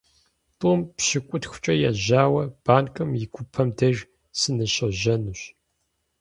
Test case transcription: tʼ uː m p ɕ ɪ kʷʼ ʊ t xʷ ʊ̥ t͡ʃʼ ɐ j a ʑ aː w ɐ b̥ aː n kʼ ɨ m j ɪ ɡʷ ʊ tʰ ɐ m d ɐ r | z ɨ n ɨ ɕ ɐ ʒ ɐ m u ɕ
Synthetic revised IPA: tʼ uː m p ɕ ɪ kʷʼ ʊ t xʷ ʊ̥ t͡ʃʼ ɐ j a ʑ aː w ɐ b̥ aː n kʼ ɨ m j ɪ ɡʷ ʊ pʰ ɐ m d ɐ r | s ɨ n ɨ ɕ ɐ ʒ ɐ n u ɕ